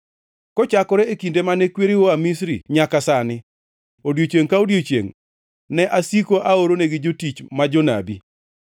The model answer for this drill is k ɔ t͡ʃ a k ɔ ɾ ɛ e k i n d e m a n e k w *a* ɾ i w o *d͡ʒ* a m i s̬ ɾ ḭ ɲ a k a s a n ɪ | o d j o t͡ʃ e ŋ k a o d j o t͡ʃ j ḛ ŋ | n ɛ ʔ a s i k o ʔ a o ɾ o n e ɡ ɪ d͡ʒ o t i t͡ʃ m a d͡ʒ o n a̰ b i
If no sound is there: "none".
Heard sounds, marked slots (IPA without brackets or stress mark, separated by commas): e, none